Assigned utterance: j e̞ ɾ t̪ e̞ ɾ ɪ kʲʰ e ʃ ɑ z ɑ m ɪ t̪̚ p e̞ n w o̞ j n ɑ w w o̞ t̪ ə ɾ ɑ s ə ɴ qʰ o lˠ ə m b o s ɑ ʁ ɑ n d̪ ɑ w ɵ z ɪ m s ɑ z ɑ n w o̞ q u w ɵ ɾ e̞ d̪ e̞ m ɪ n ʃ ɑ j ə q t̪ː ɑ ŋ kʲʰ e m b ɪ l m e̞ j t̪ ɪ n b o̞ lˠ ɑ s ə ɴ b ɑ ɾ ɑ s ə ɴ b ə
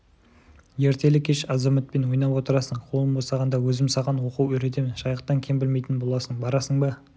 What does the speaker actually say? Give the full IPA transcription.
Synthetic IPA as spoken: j e̞ ɾ t̪ e̞ l ɪ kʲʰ e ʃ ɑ z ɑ m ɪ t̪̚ p e̞ n w o̞ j n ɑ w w o̞ t̪ ə ɾ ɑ s ə ɴ qʰ o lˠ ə m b o s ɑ ʁ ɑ n d̪ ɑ w ɵ z ɪ m s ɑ ʁ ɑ n w o̞ q u w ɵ ɾ e̞ t̪ e̞ m ɪ n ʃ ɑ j ə q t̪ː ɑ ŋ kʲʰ e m b ɪ l m e̞ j t̪ ɪ n b o̞ lˠ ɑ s ə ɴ b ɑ ɾ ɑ s ə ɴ b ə